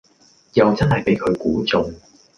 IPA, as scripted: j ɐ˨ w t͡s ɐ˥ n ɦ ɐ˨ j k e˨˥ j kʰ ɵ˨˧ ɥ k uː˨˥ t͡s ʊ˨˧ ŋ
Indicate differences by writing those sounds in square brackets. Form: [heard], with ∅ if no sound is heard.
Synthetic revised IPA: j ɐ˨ w t͡s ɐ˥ n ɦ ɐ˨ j [p] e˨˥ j kʰ ɵ˨˧ ɥ k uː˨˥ t͡s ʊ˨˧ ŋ